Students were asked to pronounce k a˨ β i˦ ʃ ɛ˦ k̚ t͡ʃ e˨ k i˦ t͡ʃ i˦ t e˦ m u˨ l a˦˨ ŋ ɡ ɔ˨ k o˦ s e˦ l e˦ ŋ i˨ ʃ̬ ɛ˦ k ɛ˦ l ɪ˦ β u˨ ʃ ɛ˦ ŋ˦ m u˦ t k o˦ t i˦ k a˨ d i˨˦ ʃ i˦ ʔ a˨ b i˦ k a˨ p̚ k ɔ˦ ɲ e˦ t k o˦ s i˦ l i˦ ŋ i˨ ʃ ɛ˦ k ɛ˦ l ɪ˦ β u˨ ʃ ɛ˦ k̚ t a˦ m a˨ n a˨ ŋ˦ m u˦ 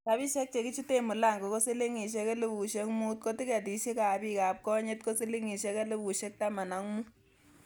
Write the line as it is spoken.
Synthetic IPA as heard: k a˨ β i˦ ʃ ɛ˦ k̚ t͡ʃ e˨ k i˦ t͡ʃ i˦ t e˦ m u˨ l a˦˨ ŋ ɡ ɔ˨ k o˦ s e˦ l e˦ ŋ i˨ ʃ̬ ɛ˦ k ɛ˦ l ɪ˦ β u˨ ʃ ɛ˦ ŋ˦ m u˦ t k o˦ t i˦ k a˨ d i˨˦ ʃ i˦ k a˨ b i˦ k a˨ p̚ k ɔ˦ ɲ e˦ t k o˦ s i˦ l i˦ ŋ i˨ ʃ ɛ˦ k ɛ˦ l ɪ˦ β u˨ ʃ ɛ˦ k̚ t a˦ m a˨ n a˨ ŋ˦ m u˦

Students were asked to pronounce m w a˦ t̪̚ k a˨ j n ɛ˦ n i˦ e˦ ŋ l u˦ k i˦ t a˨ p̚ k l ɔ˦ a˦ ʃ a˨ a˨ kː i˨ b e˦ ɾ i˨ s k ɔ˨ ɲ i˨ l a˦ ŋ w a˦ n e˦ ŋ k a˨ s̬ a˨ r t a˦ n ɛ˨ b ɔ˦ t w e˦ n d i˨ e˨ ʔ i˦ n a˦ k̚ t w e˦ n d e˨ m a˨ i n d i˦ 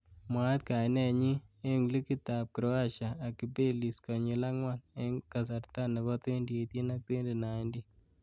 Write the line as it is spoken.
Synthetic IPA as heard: m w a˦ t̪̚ k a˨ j n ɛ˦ ɲ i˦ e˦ ŋ l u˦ k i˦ t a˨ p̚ k ɾ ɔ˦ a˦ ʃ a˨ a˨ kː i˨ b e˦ l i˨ s k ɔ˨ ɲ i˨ l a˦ ŋ w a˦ n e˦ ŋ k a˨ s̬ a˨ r t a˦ n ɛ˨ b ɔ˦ t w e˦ n d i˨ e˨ t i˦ n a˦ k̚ t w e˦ n d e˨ n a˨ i n d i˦

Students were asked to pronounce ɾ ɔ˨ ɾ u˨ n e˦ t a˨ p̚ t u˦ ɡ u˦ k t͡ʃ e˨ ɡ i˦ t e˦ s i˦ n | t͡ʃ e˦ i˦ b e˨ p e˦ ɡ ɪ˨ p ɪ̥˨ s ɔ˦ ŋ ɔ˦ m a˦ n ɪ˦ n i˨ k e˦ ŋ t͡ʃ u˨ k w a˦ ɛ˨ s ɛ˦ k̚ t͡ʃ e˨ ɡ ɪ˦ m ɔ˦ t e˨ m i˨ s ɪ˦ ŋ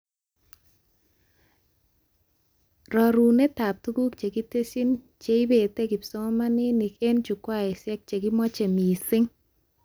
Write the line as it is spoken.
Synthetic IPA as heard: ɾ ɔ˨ ɾ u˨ n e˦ t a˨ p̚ t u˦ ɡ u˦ k t͡ʃ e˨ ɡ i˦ t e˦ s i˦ n | t͡ʃ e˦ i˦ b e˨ t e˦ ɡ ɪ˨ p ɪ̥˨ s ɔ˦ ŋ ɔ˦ m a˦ n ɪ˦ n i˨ k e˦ n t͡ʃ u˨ k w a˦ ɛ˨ s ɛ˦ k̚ t͡ʃ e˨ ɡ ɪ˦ m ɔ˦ t͡ʃ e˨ m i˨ s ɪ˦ ŋ

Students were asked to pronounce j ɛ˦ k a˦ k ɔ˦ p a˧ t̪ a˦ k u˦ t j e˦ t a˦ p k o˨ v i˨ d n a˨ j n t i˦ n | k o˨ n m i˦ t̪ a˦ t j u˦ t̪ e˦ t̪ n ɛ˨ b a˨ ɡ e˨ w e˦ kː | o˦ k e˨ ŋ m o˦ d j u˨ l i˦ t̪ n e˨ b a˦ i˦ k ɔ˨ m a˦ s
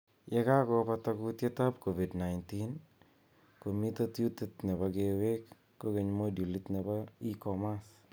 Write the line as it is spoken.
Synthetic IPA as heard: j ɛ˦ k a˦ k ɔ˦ p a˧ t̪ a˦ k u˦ t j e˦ t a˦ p k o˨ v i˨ d n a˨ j n t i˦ n | k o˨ m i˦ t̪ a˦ t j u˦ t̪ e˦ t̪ n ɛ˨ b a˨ ɡ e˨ w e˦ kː | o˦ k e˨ ɲ m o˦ d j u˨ l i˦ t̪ n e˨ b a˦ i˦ k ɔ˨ m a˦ s

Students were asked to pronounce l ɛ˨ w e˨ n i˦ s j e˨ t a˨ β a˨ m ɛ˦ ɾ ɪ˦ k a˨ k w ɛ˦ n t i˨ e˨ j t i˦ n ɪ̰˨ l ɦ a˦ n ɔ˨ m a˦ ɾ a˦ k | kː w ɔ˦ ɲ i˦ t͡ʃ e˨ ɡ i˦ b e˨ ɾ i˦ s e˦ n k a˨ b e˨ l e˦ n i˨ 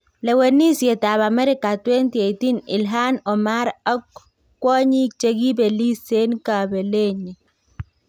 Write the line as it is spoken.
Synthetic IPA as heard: l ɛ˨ w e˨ n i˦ s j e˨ t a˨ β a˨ m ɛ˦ ɾ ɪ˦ k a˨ t w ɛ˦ n t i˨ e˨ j t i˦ n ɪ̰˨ l ɦ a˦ n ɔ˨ m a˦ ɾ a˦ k | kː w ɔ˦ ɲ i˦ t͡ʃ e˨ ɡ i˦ b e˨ l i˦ s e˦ n k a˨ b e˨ l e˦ ɲ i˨

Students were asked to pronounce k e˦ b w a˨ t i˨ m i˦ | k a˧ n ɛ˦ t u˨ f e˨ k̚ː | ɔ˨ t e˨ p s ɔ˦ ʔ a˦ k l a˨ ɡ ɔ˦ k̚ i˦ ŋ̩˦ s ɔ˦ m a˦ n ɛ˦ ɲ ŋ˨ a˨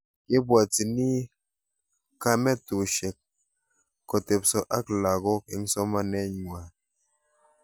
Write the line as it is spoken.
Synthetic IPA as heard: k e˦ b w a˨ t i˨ n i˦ | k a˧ m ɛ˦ t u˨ ʃ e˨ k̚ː | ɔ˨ t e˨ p s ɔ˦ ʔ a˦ k l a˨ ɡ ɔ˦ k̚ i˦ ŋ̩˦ s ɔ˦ m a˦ n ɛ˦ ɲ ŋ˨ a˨

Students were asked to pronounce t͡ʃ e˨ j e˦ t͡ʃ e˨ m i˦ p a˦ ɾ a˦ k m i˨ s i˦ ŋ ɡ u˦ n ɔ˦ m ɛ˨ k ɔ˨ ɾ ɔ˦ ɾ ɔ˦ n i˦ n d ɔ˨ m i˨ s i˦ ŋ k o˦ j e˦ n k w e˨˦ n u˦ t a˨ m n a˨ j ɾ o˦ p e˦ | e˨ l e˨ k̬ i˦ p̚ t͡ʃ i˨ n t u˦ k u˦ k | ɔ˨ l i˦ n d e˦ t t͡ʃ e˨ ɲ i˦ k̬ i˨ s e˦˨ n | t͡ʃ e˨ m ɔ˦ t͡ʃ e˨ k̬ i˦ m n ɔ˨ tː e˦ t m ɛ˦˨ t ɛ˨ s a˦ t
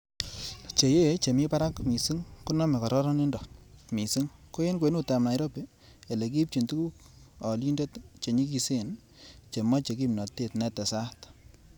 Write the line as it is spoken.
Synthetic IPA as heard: t͡ʃ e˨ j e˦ t͡ʃ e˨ m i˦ p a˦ ɾ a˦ k m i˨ s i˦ ŋ k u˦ n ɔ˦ m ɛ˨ k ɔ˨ ɾ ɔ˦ ɾ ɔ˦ n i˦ n d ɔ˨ m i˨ s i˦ ŋ k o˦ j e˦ n k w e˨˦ n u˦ t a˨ m n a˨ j ɾ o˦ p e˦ | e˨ l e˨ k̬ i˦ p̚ t͡ʃ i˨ n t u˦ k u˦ k | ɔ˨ l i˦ n d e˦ t t͡ʃ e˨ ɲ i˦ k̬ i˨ s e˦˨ n | t͡ʃ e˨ m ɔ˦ t͡ʃ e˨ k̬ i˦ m n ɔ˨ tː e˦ t n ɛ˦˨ t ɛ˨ s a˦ t

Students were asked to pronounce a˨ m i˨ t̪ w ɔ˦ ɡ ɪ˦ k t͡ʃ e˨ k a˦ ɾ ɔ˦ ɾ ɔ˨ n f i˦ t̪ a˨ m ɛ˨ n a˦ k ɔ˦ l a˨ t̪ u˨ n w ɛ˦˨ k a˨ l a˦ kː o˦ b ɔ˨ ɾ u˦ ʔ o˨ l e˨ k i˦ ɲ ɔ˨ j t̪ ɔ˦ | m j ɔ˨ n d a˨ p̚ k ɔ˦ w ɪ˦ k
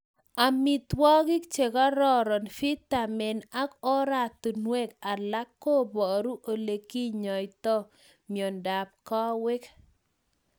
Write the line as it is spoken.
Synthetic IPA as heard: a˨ m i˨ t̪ w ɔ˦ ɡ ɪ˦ k t͡ʃ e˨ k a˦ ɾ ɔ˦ ɾ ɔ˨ n f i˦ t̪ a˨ m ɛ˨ n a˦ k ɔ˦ ɾ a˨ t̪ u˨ n w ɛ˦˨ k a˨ l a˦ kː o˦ b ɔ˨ ɾ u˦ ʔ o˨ l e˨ k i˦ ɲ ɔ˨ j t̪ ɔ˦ | m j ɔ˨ n d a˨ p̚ k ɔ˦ w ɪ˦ k

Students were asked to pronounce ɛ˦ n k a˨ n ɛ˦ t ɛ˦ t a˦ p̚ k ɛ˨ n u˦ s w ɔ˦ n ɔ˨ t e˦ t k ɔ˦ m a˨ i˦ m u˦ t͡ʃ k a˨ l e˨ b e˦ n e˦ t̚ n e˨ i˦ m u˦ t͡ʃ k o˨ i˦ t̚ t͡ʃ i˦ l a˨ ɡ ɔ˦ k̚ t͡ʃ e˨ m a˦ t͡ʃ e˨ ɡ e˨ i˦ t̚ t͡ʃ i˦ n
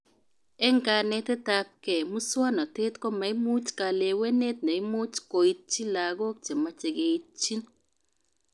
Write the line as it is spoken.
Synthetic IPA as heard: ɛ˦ ŋ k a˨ n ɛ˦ t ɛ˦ t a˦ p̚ k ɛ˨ m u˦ s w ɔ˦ n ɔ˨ t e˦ t k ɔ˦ m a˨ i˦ m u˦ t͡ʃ k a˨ l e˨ w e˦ n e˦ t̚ n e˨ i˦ m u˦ t͡ʃ k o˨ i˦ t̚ t͡ʃ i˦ l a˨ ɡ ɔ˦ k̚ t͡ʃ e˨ m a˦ t͡ʃ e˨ ɡ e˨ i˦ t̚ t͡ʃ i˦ n

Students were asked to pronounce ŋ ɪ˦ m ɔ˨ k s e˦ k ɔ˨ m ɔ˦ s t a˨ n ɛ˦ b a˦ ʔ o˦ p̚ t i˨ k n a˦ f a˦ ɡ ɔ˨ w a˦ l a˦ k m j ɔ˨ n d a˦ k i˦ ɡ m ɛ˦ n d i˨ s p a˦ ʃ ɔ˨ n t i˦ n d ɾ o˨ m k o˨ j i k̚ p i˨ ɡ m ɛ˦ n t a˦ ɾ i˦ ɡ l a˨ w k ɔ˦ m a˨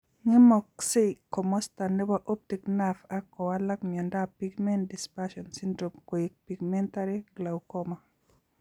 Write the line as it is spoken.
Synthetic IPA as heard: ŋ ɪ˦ m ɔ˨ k s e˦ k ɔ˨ m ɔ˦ s t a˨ n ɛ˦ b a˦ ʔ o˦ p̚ t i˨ k n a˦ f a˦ k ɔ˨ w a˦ l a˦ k m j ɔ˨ n d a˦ p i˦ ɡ m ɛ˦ n d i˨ s p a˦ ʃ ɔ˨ n s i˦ n d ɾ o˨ m k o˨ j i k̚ p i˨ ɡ m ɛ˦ n t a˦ ɾ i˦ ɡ l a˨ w k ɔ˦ m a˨

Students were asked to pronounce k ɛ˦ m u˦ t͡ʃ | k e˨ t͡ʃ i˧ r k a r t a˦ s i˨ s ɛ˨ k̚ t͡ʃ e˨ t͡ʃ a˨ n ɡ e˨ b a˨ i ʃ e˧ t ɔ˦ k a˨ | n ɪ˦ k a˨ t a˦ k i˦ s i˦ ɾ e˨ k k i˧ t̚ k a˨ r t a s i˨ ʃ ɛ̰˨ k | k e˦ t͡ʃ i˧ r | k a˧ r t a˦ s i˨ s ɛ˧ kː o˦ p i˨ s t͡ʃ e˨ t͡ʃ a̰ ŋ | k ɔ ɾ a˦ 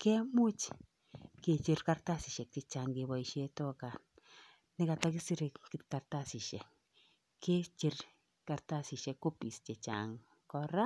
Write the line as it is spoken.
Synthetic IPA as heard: k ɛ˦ m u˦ t͡ʃ | k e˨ t͡ʃ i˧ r k a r t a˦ s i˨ ʃ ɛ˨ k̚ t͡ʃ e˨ t͡ʃ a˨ ŋ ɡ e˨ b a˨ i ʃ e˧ t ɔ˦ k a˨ | n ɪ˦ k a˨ t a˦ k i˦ s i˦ ɾ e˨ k k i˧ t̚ k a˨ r t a s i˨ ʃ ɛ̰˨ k | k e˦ t͡ʃ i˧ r | k a˧ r t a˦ s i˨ ʃ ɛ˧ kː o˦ p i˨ s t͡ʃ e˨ t͡ʃ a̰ ŋ | k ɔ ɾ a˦

